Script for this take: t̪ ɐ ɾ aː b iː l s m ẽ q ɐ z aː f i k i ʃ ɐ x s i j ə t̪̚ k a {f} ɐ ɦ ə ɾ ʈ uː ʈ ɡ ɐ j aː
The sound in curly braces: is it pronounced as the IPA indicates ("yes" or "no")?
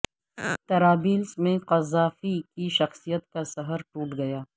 no